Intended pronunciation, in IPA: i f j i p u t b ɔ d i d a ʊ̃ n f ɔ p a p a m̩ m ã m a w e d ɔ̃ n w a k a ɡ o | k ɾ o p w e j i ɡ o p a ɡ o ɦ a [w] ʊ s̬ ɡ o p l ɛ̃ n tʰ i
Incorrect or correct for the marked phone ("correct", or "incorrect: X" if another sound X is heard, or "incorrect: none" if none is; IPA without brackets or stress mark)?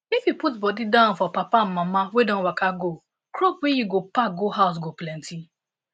incorrect: none